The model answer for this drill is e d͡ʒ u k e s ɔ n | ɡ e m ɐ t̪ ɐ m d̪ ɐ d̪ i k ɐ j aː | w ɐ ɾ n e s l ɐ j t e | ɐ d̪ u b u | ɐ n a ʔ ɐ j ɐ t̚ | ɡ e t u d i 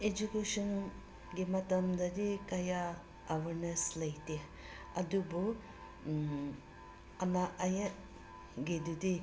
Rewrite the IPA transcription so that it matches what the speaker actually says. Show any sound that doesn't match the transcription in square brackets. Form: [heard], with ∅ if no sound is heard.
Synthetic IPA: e d͡ʒ u k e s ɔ n | ɡ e m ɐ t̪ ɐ m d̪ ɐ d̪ i k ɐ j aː | w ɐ ɾ n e s l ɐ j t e | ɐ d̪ u b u | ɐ n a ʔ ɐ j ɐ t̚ | ɡ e [d] u d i